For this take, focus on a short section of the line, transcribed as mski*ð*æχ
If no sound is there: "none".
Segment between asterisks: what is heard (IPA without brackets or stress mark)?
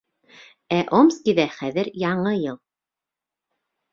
ð